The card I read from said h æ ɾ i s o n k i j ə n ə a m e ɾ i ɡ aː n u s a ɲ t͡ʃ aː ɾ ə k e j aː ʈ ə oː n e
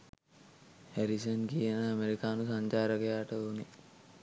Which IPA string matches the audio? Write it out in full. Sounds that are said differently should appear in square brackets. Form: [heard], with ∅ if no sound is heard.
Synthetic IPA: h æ ɾ i s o n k i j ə n ə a m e ɾ i [k] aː n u s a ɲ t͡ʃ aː ɾ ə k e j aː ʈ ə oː n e

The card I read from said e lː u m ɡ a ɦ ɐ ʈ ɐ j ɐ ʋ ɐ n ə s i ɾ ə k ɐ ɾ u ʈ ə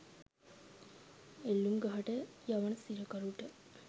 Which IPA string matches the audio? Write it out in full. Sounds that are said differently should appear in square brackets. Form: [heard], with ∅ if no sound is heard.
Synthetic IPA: e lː u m ɡ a ɦ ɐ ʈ [ə] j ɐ ʋ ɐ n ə s i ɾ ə k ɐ ɾ u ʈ ə

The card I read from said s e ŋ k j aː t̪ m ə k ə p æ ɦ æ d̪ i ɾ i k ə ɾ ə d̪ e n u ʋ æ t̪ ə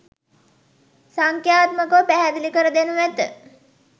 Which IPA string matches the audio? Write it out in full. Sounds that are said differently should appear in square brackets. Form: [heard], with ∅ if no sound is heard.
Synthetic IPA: s [a] ŋ k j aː t̪ m ə k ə p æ ɦ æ d̪ i [l] i k ə ɾ ə d̪ e n u ʋ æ t̪ ə

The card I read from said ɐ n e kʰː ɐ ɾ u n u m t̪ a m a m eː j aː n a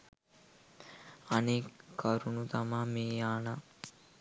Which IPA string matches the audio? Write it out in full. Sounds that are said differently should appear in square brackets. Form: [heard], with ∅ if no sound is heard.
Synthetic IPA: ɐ n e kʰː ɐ ɾ u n u [∅] t̪ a m a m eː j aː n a

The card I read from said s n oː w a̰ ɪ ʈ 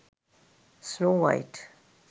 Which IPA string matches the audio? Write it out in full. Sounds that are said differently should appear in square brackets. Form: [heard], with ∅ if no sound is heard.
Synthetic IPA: s n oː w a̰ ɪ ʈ

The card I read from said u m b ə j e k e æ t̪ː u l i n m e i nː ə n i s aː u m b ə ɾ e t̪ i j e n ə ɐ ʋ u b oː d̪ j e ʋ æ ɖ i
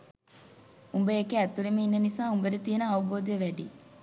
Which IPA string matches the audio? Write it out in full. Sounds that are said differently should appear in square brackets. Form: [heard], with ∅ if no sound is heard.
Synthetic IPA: u m b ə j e k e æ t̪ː u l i [∅] m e i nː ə n i s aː u m b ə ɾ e t̪ i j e n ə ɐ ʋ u b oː d̪ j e ʋ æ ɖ i

